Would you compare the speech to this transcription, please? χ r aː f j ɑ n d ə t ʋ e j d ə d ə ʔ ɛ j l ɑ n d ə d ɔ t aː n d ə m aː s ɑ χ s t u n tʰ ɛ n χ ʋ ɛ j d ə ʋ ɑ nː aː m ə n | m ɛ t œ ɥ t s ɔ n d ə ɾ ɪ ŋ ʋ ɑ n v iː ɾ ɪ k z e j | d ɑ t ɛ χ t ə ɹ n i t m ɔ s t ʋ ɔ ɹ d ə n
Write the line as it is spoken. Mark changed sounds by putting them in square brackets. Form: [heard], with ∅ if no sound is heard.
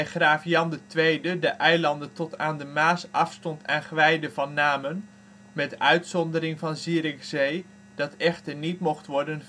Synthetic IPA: χ r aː f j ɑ n d ə t ʋ e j d ə d ə ʔ ɛ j l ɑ n d ə [t] ɔ t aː n d ə m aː s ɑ [f] s t [ɔ] n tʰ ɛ n χ ʋ ɛ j d ə [v] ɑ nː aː m ə n | m ɛ t œ ɥ t s ɔ n d ə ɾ ɪ ŋ [v] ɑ n [z] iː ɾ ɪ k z e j | d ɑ t ɛ χ t ə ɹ n i t m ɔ [χ] t ʋ ɔ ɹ d ə n

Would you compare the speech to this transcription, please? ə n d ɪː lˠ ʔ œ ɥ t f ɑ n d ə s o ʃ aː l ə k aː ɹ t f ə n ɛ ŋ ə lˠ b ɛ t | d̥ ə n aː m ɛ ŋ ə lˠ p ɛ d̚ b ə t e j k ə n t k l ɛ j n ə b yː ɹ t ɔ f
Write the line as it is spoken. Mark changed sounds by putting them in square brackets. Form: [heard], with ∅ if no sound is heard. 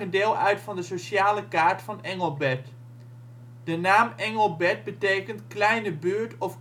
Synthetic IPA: ə n d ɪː lˠ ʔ œ ɥ t f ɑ n d ə s o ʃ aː l ə k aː ɹ t f [ɑ] n ɛ ŋ ə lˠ b ɛ t | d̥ ə n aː m ɛ ŋ ə lˠ [b] ɛ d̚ b ə t e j k ə n t k l ɛ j n ə b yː ɹ t ɔ f

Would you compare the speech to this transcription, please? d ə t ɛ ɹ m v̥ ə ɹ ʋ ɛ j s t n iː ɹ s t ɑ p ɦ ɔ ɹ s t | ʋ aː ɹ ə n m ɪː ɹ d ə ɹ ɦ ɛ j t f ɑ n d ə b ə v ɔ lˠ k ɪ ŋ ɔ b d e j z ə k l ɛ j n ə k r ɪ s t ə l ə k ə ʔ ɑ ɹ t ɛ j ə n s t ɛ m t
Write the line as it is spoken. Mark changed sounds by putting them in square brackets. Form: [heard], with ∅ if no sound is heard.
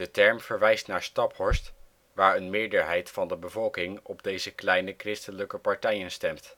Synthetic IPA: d ə t ɛ ɹ m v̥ ə ɹ ʋ ɛ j s t n [aː] ɹ s t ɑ p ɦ ɔ ɹ s t | ʋ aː ɹ ə n m ɪː ɹ d ə ɹ ɦ ɛ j t f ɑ n d ə b ə v ɔ lˠ k ɪ ŋ ɔ b d e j z ə k l ɛ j n ə k r ɪ s t ə l ə k ə [p] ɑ ɹ t ɛ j ə n s t ɛ m t

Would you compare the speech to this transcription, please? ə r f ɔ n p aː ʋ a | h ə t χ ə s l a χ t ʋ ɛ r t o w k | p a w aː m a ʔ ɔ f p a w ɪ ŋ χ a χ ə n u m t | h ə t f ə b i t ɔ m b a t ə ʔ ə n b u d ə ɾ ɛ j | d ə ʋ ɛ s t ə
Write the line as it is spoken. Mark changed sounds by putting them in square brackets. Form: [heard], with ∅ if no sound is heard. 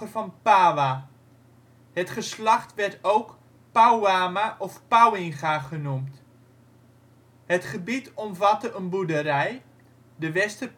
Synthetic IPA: ə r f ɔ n p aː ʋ a | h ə t χ ə s l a χ t ʋ ɛ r t o w k | p a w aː m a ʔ ɔ f p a w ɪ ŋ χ a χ ə n u m t | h ə t [χ] ə b i t ɔ m [v] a t ə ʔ ə n b u d ə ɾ ɛ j | d ə ʋ ɛ s t ə

